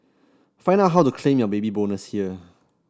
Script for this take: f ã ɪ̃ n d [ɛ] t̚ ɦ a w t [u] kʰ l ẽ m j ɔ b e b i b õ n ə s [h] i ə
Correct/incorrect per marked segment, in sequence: incorrect, correct, correct

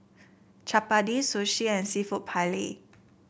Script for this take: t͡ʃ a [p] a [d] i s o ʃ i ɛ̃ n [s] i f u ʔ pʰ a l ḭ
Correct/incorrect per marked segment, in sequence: correct, correct, correct

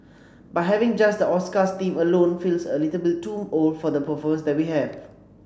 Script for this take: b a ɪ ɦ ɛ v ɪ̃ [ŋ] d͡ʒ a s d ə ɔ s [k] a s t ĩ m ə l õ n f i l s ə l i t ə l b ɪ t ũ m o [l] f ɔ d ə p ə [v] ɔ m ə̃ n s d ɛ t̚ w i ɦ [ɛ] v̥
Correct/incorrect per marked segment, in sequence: correct, correct, correct, incorrect, correct

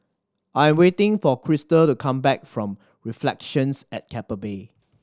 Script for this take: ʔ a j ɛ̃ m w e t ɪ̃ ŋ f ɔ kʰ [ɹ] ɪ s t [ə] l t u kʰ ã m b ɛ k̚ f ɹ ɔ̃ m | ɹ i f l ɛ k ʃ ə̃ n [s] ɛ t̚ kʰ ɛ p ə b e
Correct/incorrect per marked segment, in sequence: correct, correct, correct

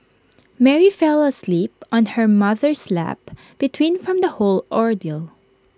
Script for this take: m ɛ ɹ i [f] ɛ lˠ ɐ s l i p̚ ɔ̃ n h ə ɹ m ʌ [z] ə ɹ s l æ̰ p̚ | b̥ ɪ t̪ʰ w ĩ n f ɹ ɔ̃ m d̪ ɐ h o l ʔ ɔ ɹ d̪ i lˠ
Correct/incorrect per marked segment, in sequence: correct, incorrect

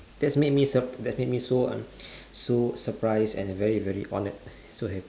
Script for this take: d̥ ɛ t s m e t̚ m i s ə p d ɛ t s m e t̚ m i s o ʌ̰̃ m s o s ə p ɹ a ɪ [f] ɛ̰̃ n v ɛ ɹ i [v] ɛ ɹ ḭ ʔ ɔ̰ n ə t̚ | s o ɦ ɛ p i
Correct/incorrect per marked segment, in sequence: incorrect, correct

